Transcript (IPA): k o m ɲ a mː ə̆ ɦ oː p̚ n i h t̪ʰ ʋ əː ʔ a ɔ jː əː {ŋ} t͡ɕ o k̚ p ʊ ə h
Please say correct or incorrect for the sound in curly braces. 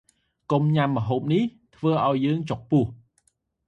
correct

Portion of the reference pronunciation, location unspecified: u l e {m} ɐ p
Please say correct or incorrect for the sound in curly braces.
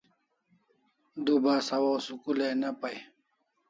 incorrect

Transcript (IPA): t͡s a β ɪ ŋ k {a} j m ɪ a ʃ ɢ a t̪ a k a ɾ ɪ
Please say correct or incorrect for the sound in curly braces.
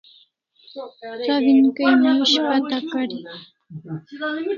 correct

